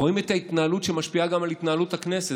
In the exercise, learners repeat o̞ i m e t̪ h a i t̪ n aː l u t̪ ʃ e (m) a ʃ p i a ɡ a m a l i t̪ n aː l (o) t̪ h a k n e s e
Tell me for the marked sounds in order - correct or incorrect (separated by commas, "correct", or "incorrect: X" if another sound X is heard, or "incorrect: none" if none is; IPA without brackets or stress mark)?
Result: correct, incorrect: u